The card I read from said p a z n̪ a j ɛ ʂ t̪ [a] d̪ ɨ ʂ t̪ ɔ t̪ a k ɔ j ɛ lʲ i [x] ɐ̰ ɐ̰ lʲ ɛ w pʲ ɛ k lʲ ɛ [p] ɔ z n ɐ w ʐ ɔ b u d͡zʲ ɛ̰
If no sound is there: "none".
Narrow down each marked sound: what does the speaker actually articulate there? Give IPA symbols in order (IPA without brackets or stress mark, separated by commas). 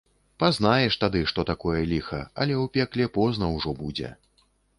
a, x, p